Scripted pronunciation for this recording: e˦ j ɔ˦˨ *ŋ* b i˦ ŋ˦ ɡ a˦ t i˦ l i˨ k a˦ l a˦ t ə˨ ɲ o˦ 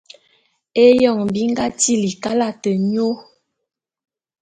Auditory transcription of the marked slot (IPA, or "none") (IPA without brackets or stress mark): ŋ